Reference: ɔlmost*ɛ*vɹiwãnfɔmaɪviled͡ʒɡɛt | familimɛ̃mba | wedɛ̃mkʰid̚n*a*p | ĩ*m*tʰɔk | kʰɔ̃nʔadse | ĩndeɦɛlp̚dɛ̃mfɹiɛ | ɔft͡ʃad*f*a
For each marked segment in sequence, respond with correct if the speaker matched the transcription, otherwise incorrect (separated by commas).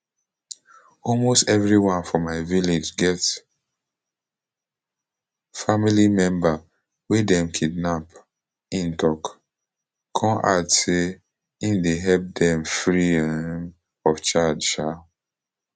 correct, correct, incorrect, incorrect